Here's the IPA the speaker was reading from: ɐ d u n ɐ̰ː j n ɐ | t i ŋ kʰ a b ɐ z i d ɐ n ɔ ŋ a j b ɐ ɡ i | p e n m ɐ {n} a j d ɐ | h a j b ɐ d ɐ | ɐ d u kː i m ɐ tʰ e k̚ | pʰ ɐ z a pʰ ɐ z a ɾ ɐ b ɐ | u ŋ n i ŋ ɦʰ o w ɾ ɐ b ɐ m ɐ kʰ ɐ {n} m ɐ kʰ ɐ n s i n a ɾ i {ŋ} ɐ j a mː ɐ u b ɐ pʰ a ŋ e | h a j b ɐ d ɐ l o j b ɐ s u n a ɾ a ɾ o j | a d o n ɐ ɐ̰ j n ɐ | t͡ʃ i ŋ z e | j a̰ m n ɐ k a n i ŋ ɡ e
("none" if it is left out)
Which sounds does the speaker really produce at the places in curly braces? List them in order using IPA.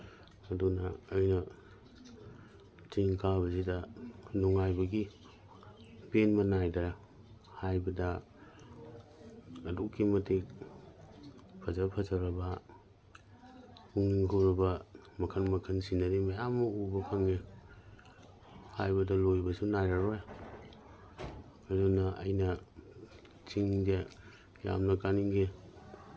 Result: n, n, m

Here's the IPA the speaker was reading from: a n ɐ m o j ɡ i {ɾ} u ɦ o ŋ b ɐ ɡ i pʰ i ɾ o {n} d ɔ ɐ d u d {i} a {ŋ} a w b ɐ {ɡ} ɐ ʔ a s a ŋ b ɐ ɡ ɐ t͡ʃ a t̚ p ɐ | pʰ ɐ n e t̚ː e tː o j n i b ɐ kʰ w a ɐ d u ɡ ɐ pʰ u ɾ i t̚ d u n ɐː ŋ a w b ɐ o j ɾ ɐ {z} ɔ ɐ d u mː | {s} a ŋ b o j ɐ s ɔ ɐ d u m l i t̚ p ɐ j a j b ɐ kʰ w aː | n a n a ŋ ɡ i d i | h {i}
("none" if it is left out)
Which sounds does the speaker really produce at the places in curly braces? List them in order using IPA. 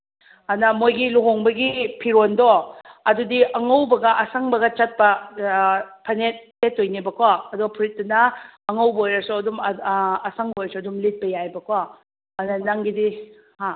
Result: l, n, i, ŋ, ɡ, s, s, a

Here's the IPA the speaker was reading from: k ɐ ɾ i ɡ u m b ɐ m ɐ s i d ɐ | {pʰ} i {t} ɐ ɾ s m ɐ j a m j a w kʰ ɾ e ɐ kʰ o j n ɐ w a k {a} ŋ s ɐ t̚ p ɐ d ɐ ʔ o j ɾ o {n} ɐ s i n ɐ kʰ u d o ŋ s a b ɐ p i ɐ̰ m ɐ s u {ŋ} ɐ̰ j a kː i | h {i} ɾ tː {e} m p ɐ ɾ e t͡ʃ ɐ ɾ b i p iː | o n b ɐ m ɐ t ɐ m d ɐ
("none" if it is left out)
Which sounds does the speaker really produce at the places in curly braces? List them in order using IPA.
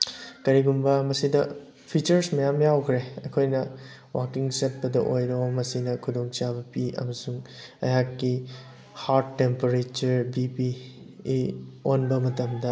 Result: pʰ, t͡ʃ, i, m, ŋ, a, e

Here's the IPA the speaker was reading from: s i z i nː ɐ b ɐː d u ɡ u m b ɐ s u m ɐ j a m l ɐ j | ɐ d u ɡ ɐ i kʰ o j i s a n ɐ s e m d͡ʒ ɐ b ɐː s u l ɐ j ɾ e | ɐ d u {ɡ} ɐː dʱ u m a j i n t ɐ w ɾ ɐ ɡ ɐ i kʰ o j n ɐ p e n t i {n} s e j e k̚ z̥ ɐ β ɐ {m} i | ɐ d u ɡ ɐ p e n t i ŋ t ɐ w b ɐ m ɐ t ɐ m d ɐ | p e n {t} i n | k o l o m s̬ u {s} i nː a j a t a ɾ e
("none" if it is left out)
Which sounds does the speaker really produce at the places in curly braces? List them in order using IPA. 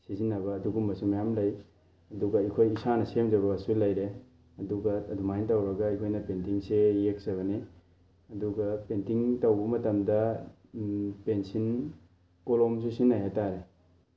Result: ɡ, ŋ, n, s, s

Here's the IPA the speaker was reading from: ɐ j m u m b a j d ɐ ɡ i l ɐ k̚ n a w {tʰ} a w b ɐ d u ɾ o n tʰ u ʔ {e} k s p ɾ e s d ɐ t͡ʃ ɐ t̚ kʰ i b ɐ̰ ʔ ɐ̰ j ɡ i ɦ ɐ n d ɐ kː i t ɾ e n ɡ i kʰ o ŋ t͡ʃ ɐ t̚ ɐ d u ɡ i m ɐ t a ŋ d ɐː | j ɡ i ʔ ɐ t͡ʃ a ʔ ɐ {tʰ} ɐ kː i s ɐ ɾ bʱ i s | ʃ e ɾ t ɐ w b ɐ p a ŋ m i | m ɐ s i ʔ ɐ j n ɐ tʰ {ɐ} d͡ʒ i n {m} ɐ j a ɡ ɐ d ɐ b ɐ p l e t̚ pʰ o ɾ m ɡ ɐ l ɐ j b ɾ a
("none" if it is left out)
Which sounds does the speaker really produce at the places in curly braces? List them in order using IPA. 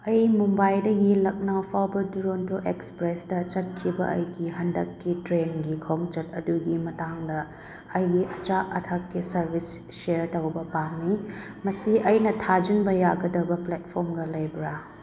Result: pʰ, e, tʰ, a, b

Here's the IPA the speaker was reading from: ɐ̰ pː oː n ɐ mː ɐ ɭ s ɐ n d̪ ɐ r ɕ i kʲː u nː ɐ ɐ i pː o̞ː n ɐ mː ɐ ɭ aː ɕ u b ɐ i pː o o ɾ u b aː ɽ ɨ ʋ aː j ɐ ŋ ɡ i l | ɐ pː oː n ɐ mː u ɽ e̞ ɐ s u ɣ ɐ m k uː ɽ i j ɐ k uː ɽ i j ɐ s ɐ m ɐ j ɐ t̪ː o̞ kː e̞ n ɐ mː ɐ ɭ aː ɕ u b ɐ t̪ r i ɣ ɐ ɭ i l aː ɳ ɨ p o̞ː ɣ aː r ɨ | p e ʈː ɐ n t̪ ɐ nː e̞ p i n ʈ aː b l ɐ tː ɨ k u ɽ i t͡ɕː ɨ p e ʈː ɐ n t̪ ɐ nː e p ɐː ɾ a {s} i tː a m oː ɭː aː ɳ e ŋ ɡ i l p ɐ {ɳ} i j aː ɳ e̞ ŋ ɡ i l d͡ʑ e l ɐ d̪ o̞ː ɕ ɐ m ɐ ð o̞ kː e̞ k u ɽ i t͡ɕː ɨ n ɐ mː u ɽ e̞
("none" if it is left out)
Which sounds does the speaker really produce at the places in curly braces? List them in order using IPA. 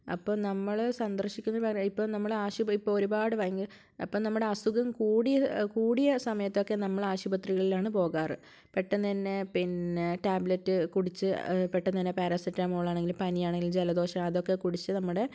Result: s, n

